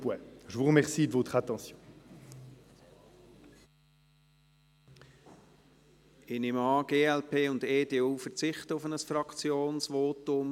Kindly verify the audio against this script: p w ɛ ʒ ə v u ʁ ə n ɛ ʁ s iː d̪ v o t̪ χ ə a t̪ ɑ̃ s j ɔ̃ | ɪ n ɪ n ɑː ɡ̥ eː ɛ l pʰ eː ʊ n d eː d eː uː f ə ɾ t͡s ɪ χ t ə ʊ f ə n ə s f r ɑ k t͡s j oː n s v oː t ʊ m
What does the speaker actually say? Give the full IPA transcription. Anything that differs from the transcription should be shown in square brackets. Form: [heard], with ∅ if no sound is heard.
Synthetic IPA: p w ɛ ʒ ə v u ʁ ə [m] ɛ ʁ s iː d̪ v o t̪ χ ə a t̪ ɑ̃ s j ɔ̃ | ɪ n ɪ [m] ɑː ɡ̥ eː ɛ l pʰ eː ʊ n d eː d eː uː f ə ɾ t͡s ɪ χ t ə ʊ f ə n ə s f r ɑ k t͡s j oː n s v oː t ʊ m